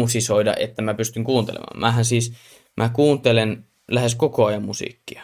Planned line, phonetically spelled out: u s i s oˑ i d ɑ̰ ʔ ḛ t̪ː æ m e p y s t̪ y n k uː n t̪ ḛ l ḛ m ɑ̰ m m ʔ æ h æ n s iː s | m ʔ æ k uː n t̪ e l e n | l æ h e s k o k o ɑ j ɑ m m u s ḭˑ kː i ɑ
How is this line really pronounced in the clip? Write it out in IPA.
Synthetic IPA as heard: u s i s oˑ i d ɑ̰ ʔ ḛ t̪ː æ m æ p y s t̪ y ŋ k uː n t̪ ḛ l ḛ m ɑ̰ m m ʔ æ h æ n s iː s | m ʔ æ k uː n t̪ e l e n | l æ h e s k o k o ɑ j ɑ m m u s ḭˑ kː i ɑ